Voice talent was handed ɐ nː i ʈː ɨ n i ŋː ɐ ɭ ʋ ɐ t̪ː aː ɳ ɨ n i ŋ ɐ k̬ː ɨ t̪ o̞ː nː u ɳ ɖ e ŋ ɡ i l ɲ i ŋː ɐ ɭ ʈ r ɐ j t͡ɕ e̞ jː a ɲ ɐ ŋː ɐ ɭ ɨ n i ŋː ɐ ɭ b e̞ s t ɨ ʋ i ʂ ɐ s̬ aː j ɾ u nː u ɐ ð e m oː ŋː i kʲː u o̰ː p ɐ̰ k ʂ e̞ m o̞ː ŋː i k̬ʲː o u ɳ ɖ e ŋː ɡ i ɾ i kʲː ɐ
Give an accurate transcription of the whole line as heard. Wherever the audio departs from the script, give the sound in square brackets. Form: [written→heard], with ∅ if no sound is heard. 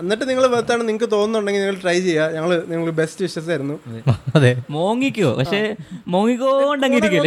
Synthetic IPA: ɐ nː i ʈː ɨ n i ŋː ɐ ɭ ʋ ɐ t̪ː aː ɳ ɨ n i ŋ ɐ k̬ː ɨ t̪ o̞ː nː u ɳ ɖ e ŋ ɡ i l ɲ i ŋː ɐ ɭ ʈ r ɐ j t͡ɕ e̞ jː a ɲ ɐ ŋː ɐ ɭ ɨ n i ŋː ɐ ɭ b e̞ s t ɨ ʋ i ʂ ɐ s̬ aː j ɾ u nː u ɐ ð e m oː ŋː i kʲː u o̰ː p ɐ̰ k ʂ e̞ m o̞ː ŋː i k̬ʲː o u ɳ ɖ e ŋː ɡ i ɾ i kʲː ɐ